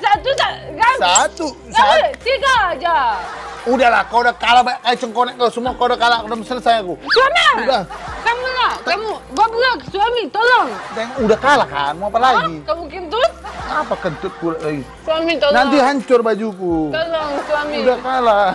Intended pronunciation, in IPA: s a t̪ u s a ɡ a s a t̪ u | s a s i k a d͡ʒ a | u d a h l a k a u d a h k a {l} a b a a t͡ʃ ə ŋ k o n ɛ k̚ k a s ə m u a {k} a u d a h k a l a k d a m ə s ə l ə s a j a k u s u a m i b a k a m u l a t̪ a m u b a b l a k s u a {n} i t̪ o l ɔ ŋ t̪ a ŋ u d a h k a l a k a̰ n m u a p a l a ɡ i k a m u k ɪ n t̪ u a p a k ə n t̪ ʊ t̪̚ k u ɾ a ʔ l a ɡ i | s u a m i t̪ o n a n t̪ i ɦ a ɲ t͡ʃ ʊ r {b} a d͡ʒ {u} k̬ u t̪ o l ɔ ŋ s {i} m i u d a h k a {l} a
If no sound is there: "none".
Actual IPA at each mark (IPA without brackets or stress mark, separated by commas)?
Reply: l, k, m, b, u, a, l